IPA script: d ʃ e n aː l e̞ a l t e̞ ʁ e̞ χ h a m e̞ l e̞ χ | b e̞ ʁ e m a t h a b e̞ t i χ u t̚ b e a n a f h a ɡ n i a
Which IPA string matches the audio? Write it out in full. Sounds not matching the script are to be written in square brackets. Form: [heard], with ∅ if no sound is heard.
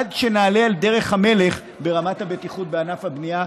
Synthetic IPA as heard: d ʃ e n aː l e̞ a l [d] e̞ ʁ e̞ χ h a m e̞ l e̞ χ | b e̞ ʁ [a] m a t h a b e̞ t i χ u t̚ b e a n a f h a [b] n i a